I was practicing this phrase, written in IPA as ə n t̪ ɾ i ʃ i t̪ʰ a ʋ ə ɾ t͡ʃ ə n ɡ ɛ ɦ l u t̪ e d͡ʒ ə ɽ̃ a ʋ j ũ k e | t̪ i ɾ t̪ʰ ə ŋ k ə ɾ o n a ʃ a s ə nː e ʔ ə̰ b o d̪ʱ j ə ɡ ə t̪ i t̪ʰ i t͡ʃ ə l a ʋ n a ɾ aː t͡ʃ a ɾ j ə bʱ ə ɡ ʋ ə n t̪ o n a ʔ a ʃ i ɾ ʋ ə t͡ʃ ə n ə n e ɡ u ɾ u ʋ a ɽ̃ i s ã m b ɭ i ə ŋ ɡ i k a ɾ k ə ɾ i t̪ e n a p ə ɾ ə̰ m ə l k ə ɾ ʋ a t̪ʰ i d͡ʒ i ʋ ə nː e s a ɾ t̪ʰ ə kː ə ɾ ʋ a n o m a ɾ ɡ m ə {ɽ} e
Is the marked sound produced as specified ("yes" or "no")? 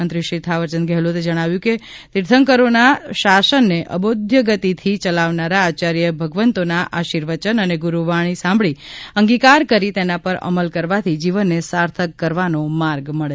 no